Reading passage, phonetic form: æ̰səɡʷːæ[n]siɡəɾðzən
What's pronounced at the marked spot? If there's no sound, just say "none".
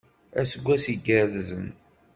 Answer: none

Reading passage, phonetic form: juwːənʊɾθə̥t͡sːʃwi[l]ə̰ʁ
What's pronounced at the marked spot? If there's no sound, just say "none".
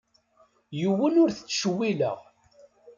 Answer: l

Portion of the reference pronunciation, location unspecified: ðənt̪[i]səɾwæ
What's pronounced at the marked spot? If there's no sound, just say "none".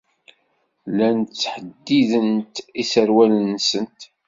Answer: i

